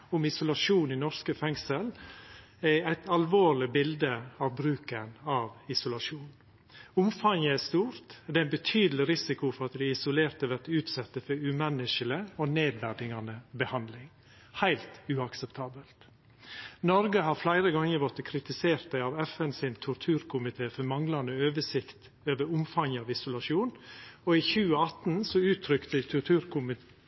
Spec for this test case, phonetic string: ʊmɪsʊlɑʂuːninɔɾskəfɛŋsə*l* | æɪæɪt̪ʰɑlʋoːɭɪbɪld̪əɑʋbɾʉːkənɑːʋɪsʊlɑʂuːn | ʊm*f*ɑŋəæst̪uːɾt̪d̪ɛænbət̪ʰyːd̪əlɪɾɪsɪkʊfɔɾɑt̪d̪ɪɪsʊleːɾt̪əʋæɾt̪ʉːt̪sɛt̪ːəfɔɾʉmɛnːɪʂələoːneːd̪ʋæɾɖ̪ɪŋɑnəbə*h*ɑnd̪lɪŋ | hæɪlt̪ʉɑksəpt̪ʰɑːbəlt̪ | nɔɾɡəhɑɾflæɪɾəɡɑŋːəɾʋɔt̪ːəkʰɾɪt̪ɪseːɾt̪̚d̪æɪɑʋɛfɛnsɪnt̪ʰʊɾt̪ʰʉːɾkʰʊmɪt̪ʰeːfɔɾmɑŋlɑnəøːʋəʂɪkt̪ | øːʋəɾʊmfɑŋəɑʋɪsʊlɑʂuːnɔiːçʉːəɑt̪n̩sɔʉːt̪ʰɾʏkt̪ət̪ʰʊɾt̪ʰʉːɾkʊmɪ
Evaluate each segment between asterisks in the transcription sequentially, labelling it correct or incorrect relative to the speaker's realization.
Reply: correct, correct, correct

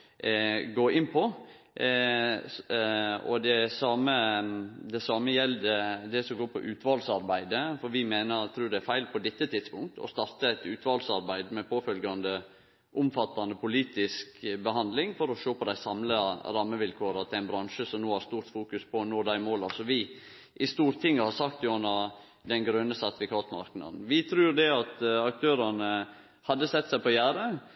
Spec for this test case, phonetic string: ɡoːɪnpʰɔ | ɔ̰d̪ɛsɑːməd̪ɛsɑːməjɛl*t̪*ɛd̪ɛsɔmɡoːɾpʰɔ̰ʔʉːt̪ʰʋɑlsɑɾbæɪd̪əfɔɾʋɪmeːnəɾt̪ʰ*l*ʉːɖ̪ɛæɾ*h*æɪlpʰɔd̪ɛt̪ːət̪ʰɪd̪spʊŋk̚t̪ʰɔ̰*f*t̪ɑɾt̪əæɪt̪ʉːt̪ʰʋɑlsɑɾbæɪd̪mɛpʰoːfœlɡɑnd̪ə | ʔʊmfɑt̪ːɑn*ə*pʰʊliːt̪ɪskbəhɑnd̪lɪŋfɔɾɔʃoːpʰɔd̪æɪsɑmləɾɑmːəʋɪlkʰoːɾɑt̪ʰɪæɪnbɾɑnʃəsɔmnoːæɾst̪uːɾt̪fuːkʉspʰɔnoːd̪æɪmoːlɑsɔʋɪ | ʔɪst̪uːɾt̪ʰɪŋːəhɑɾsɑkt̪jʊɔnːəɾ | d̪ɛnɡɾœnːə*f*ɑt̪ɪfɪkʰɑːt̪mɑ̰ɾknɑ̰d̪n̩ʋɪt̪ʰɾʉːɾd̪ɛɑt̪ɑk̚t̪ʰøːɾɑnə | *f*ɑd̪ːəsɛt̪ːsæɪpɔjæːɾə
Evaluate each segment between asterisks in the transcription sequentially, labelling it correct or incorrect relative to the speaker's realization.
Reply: incorrect, incorrect, incorrect, incorrect, correct, incorrect, incorrect

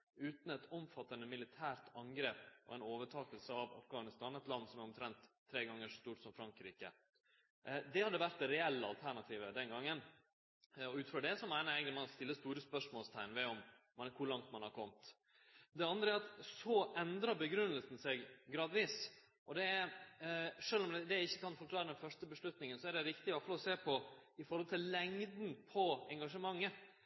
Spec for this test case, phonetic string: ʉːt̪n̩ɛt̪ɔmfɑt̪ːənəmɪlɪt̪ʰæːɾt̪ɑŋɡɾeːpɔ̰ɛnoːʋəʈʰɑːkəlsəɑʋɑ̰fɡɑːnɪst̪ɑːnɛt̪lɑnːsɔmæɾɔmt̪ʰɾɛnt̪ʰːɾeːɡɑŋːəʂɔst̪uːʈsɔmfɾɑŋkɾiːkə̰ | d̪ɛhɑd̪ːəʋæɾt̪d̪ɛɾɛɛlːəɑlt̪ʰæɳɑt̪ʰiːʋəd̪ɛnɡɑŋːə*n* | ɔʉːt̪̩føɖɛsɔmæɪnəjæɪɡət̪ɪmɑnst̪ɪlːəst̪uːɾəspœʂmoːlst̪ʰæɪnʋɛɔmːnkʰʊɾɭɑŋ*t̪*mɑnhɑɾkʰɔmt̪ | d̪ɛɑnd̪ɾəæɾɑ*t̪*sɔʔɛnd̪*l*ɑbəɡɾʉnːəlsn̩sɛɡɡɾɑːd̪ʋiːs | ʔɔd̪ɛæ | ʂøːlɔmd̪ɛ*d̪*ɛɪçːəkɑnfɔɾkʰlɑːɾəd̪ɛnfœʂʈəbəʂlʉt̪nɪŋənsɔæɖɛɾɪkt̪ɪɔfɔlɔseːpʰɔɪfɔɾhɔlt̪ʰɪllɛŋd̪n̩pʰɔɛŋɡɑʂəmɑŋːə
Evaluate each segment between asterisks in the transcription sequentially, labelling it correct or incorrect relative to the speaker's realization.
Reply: correct, correct, correct, incorrect, correct

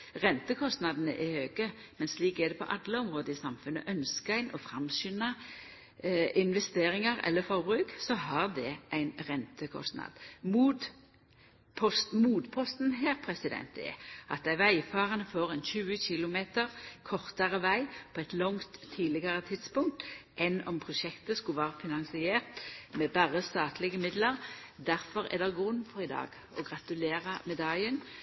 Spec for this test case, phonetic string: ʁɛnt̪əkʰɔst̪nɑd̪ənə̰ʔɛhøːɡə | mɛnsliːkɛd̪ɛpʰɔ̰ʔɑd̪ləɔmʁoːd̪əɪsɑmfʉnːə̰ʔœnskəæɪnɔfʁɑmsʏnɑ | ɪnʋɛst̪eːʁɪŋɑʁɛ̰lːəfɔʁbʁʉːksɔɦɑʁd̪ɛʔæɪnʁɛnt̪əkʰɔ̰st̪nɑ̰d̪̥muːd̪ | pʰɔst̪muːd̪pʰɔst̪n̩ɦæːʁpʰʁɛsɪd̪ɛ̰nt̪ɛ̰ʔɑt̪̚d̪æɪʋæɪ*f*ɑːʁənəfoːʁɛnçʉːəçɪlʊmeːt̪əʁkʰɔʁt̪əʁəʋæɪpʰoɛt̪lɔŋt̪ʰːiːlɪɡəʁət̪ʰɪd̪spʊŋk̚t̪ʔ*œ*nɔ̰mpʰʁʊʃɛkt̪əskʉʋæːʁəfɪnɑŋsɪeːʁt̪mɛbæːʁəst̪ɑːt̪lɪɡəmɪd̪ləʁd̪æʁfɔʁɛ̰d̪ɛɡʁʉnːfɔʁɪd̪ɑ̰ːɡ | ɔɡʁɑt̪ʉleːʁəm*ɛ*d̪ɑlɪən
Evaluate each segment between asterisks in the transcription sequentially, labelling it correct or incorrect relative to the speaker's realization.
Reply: correct, incorrect, correct

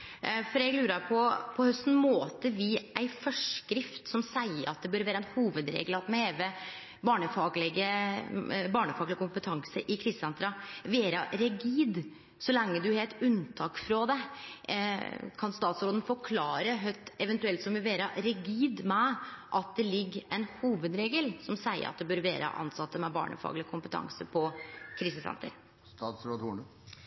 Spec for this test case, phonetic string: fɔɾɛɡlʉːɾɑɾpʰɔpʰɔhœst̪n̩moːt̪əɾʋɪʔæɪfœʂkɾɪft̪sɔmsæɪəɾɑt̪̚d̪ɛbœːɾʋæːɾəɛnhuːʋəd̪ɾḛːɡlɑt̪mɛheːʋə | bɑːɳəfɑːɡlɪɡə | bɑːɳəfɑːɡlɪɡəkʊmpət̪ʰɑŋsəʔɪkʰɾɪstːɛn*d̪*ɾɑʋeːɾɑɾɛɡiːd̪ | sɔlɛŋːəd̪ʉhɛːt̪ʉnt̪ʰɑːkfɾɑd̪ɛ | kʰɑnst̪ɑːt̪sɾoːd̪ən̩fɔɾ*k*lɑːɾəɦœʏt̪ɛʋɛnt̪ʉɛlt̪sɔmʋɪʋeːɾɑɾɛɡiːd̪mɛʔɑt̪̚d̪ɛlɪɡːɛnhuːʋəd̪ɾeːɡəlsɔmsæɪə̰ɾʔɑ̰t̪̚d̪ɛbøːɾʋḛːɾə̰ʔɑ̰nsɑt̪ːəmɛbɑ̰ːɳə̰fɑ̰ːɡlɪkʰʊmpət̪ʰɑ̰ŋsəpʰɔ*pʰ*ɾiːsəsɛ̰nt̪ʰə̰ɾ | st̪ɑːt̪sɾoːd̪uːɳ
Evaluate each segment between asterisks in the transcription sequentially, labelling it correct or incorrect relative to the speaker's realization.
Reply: incorrect, incorrect, incorrect

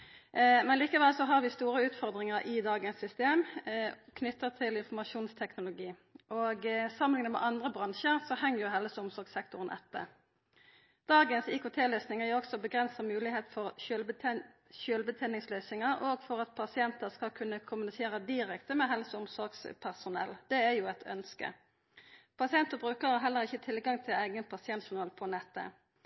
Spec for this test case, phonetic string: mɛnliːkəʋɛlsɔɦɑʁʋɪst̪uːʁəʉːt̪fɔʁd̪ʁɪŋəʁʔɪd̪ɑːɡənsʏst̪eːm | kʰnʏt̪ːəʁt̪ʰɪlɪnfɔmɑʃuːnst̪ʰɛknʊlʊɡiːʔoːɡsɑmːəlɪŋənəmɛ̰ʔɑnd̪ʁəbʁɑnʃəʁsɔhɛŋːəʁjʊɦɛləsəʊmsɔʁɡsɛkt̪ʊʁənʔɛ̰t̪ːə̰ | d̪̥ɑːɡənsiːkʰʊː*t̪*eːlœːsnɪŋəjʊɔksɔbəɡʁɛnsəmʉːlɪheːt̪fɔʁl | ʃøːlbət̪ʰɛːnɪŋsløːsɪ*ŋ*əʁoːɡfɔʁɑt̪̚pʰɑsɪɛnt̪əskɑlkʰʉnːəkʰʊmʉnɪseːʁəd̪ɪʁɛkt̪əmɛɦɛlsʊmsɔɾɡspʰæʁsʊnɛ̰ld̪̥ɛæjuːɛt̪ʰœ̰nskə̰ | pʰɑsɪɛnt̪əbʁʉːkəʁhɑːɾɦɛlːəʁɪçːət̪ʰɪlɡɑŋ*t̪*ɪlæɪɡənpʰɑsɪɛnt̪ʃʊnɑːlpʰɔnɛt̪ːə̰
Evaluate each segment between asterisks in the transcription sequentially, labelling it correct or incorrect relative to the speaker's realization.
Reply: incorrect, correct, incorrect

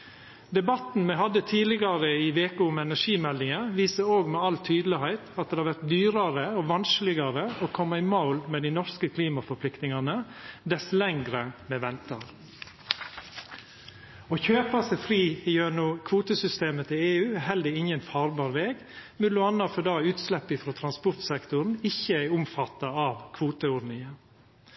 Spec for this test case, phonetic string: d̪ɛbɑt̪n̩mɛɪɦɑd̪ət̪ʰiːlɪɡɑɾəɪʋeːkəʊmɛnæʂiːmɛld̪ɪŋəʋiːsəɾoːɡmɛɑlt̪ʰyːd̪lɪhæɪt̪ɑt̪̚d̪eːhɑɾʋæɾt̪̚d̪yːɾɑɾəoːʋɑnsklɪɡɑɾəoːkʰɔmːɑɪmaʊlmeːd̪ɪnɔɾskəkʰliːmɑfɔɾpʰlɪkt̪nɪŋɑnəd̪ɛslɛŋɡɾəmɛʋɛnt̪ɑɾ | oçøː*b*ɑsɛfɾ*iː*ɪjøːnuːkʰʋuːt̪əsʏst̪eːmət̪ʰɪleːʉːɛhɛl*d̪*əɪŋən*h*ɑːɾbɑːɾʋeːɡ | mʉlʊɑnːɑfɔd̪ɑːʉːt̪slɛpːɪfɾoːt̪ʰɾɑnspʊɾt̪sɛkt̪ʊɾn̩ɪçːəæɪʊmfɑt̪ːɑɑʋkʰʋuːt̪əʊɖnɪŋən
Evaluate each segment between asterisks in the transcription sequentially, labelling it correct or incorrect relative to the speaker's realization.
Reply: incorrect, correct, correct, incorrect

